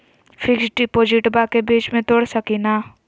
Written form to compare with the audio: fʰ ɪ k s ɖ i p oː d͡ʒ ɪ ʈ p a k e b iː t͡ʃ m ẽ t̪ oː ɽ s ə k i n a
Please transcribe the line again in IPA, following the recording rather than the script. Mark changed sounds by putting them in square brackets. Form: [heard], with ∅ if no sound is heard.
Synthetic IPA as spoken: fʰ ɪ k s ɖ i p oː d͡ʒ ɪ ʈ [b] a k e b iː t͡ʃ m ẽ t̪ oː ɽ s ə k i n a